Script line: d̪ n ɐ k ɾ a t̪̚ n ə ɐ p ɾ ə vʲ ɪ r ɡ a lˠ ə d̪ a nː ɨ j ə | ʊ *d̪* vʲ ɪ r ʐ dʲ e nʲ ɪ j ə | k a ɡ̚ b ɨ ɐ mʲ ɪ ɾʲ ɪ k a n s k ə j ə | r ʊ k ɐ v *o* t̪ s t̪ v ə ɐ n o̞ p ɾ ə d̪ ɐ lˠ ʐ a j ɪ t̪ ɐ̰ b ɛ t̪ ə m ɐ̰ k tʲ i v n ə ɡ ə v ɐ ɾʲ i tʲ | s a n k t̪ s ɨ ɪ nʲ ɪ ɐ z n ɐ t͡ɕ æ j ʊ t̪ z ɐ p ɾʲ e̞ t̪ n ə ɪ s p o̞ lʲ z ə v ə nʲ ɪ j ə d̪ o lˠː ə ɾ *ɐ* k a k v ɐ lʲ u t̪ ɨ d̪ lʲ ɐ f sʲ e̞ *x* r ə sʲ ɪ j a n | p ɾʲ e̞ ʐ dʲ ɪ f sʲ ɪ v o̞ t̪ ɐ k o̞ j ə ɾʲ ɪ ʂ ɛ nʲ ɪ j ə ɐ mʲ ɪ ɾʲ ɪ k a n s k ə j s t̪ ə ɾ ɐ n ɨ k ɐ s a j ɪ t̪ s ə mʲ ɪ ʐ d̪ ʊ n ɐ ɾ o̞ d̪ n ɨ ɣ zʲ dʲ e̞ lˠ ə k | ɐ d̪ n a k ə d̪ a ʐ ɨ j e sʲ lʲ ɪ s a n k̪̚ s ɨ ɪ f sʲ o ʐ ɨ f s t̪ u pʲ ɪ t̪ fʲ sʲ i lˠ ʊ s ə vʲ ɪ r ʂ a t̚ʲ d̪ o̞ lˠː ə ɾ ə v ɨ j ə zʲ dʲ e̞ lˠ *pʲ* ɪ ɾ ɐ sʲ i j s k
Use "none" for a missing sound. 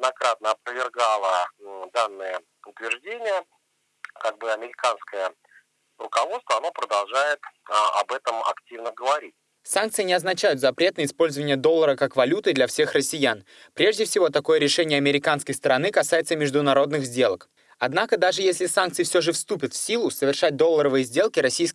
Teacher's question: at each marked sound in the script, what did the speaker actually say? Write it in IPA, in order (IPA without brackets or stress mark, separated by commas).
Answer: t̪, o, ə, x, kʲ